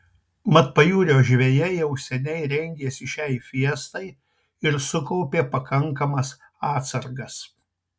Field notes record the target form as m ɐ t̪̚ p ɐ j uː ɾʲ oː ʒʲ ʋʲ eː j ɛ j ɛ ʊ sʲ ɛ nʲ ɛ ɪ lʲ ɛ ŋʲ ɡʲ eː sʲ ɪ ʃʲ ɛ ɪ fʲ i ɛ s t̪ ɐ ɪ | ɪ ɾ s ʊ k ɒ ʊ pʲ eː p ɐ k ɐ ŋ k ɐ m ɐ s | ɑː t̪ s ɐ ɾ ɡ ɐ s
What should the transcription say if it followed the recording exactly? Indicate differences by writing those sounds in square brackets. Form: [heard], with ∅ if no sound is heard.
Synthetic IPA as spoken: m ɐ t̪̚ p ɐ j uː ɾʲ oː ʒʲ ʋʲ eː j ɛ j ɛ ʊ sʲ ɛ nʲ ɛ ɪ [ɾʲ] ɛ ŋʲ ɡʲ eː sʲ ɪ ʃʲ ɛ ɪ fʲ i ɛ s t̪ ɐ ɪ | ɪ ɾ s ʊ k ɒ ʊ pʲ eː p ɐ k ɐ ŋ k ɐ m ɐ s | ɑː t̪ s ɐ ɾ ɡ ɐ s